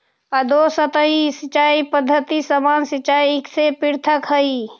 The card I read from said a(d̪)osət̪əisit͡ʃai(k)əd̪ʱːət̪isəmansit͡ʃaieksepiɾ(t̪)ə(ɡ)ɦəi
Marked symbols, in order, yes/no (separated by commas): yes, no, no, no